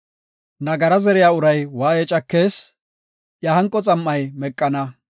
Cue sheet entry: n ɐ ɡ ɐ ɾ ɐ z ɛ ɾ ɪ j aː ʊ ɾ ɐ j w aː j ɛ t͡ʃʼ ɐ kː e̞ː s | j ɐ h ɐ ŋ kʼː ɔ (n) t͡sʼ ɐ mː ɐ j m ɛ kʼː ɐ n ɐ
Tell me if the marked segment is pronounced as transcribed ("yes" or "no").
no